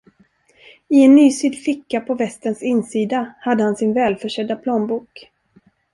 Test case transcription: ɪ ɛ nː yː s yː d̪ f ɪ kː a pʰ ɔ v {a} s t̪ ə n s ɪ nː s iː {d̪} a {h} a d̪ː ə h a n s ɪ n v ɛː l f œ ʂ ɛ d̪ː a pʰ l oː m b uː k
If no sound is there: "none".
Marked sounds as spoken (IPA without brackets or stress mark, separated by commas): ɛ, d̪, h